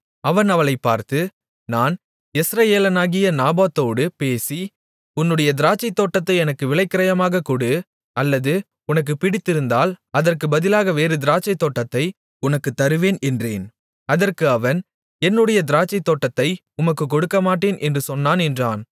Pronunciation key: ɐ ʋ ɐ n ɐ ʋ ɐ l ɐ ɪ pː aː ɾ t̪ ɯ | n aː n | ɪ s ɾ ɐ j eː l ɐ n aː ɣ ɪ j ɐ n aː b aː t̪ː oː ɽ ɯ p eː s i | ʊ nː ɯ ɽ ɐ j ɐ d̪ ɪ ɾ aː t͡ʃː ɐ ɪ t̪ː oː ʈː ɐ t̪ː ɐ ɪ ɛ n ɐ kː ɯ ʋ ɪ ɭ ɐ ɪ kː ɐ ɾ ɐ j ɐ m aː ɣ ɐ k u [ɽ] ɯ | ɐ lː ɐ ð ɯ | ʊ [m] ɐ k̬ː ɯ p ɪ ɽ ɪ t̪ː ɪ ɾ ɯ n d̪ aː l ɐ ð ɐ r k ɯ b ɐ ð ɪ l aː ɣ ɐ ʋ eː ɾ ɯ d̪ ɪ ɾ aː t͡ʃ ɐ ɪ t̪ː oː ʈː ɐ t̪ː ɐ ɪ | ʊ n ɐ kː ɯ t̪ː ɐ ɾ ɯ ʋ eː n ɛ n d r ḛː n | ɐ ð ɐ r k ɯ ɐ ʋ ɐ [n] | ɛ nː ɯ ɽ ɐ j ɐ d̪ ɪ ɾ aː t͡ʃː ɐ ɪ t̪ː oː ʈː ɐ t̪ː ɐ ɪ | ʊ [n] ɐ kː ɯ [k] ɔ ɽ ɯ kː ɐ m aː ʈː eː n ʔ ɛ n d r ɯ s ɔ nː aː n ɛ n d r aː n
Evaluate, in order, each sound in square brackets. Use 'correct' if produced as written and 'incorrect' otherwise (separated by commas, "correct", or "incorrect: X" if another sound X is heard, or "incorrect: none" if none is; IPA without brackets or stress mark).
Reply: correct, incorrect: n, correct, incorrect: m, correct